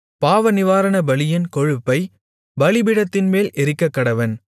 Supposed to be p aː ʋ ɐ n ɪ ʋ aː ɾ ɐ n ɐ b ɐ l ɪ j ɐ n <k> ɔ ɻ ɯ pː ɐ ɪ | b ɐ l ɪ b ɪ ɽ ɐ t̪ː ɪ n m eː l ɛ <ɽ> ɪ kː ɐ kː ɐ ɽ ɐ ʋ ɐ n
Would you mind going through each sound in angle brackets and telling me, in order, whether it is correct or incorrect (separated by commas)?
correct, incorrect